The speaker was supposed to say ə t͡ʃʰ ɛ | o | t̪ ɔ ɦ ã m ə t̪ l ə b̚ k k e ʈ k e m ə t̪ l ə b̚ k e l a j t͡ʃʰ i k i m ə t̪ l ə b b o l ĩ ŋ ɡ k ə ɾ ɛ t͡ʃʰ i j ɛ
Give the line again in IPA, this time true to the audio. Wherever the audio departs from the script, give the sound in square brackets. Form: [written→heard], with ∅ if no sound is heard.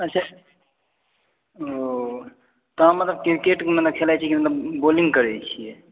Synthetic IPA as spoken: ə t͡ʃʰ [ɛ→a] | o | t̪ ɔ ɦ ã m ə t̪ l ə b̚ k k e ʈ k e m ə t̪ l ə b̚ [k→kʰ] e l a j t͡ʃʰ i k i m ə t̪ l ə b b o l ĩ ŋ ɡ k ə ɾ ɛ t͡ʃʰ i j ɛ